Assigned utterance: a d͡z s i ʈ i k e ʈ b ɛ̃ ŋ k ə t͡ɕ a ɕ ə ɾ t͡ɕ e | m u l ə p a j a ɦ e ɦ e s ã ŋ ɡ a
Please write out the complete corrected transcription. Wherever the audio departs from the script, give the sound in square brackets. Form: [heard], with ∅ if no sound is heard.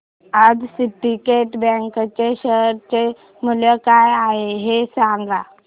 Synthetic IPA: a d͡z s i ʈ i k e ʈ b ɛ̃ ŋ k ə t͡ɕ [e] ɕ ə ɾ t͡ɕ e | m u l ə [k] a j a ɦ e ɦ e s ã ŋ ɡ a